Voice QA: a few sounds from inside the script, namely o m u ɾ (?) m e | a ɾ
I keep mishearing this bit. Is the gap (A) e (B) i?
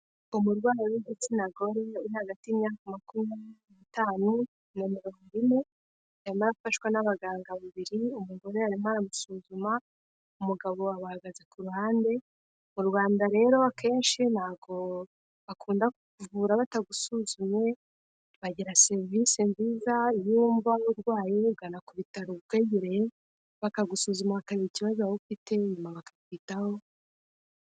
B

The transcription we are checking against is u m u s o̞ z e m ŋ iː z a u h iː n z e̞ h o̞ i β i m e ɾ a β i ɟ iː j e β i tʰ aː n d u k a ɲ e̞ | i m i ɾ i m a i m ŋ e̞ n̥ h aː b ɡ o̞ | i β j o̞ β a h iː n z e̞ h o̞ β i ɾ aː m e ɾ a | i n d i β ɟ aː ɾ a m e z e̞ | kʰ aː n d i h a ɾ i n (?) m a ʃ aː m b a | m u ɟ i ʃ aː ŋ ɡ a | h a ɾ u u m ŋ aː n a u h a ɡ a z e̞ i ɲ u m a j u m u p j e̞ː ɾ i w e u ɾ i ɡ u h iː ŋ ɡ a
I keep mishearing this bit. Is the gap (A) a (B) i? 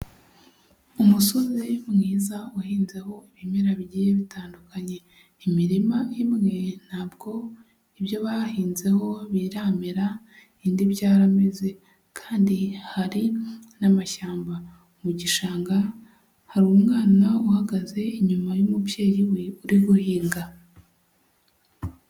A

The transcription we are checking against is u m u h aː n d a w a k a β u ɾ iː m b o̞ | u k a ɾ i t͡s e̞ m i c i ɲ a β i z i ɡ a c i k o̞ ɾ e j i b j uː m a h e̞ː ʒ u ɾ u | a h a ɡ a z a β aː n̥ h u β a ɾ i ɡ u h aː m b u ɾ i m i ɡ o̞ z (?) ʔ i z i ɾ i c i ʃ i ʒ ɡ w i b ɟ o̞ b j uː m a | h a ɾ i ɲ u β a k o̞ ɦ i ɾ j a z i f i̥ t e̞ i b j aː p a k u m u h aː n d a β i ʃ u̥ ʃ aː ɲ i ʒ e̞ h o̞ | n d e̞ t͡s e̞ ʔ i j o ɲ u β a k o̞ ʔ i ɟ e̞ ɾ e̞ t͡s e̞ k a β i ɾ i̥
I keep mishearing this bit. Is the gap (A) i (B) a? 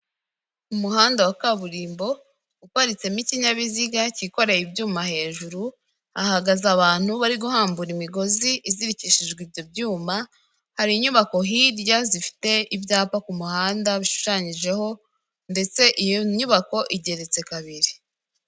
A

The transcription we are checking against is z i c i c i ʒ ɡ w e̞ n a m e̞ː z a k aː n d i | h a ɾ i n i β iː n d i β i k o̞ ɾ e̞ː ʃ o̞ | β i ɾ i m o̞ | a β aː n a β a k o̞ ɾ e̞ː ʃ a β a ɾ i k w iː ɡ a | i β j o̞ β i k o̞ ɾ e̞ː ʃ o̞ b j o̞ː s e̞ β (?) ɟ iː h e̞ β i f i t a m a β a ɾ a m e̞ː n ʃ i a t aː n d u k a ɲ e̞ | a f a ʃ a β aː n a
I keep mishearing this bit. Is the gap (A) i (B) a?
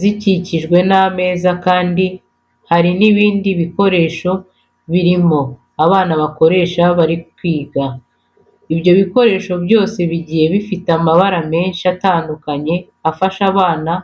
A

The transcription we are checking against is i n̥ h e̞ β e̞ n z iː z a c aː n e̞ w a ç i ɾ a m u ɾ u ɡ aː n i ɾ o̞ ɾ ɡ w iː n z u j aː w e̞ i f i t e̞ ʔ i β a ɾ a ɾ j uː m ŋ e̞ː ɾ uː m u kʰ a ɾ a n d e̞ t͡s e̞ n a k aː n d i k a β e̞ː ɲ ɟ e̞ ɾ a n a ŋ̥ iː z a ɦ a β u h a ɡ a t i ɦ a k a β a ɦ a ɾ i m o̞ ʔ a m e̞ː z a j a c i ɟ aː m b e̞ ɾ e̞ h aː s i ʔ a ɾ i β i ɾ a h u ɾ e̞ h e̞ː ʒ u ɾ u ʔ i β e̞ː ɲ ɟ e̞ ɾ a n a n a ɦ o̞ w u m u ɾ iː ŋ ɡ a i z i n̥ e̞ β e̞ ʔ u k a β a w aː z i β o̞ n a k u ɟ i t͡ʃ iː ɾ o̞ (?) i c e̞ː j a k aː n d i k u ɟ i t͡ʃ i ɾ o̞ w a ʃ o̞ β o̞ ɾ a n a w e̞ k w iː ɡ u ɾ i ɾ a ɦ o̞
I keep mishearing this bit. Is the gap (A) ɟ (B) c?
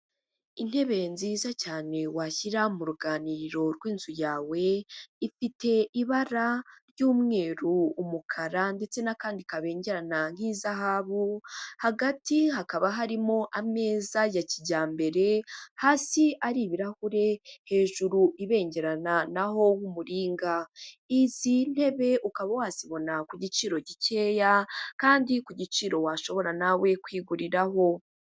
A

